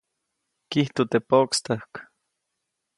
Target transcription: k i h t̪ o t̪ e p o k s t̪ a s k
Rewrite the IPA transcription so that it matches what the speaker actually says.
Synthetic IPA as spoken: k i h t̪ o t̪ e p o k s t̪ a h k